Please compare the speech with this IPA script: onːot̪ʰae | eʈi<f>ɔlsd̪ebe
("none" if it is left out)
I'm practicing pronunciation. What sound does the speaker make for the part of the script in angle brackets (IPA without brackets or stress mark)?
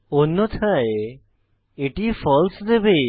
f